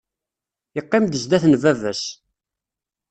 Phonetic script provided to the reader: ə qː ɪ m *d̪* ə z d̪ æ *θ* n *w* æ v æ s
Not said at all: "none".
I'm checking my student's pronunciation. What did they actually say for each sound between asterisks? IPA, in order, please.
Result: d̪, θ, v

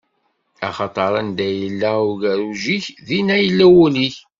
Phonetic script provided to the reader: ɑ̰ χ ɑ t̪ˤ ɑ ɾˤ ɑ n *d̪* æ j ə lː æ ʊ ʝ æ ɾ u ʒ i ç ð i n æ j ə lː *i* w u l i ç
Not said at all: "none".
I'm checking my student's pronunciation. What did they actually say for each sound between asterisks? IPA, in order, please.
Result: d̪, æ

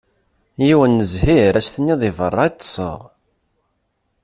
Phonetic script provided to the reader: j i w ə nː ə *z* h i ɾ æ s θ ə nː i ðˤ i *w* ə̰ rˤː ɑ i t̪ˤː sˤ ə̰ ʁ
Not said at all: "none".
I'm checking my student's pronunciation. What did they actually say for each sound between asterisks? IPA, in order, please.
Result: z, v

